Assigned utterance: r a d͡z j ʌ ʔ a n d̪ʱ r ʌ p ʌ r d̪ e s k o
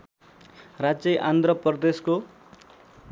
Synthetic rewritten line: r a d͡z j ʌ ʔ a n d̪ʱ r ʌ p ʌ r d̪ e s k o